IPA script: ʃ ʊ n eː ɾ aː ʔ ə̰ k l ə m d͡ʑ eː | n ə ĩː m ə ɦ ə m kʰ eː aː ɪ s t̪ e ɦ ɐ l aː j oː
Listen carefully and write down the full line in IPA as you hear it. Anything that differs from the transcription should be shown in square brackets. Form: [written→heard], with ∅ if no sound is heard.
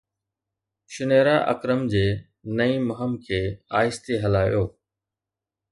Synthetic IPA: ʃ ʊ n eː ɾ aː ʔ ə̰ k [l→ɾ] ə m d͡ʑ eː | n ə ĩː m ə ɦ ə m kʰ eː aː ɪ s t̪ e ɦ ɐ l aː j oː